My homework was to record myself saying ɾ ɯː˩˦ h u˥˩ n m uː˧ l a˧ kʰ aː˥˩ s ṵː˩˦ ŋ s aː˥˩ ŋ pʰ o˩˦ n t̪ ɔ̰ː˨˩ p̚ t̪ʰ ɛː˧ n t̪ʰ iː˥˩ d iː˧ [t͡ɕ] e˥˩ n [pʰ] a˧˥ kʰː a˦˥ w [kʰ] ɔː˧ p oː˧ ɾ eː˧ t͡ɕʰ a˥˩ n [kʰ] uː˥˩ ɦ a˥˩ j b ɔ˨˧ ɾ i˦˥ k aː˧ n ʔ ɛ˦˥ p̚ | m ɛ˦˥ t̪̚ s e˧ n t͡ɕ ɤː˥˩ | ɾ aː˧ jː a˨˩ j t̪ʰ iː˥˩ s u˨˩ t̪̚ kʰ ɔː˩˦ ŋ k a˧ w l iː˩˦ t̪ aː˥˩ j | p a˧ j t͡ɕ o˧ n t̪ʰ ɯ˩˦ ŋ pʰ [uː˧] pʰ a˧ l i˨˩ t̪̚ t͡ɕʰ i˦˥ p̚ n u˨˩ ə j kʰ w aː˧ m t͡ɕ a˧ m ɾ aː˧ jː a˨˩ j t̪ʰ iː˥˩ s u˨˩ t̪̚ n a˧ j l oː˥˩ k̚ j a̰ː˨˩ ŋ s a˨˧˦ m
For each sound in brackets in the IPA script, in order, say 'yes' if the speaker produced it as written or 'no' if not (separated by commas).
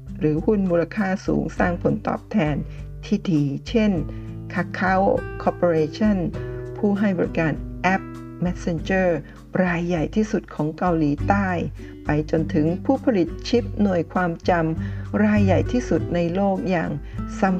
no, no, yes, no, no